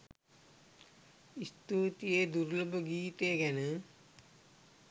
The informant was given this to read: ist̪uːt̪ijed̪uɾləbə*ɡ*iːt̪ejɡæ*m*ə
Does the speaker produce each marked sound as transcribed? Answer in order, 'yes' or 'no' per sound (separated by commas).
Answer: yes, no